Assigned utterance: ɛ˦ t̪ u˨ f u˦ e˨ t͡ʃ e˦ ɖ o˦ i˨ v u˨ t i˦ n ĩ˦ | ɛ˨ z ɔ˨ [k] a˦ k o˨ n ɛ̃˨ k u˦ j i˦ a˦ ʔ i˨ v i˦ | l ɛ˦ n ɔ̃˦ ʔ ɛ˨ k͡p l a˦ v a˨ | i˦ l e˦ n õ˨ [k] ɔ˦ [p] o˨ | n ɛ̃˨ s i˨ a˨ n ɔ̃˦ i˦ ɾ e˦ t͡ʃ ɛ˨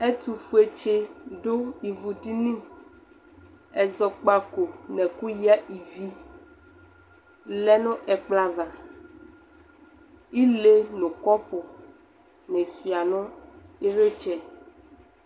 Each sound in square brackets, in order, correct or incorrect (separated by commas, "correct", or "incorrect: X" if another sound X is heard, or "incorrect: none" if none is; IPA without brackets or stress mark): incorrect: k͡p, correct, correct